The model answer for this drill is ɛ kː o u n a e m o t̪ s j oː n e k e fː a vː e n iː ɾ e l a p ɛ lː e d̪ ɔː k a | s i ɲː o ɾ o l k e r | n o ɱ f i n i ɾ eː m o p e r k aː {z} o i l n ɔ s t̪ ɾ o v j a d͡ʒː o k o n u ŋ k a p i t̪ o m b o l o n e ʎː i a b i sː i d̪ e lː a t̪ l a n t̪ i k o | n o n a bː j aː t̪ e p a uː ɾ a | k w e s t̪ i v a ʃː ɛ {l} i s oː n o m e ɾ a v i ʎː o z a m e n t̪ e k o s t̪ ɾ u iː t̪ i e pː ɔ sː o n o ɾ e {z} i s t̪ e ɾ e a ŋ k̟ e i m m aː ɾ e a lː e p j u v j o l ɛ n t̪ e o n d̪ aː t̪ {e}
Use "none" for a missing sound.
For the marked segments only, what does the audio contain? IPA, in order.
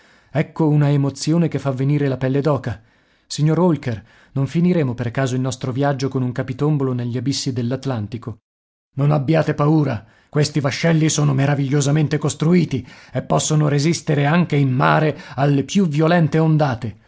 z, lː, z, e

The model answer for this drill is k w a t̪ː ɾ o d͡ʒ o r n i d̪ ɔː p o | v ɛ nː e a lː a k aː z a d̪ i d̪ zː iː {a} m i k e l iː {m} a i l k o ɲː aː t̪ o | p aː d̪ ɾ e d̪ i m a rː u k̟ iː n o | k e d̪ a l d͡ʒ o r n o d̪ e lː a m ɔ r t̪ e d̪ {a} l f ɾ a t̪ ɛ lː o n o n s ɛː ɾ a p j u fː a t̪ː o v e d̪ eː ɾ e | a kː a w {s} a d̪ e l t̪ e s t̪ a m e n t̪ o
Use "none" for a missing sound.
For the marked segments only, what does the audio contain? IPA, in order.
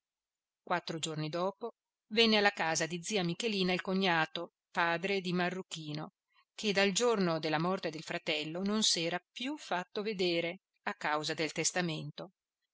a, n, e, z

